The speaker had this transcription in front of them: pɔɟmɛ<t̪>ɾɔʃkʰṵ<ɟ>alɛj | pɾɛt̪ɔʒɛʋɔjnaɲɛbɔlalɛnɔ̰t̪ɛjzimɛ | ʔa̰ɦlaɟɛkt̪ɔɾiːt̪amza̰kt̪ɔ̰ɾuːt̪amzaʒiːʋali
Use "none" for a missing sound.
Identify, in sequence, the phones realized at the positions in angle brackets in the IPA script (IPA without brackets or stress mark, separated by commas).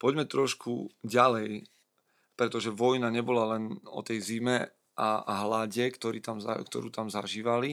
t̪, ɟ